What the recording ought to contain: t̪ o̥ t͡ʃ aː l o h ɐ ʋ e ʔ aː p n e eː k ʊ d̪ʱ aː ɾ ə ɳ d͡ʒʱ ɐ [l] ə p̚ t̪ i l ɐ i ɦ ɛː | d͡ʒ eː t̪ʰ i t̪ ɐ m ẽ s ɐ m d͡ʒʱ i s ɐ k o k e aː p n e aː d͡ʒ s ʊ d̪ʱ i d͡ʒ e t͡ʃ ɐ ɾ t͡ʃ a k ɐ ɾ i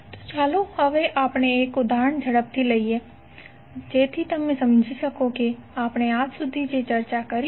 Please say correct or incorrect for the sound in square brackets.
incorrect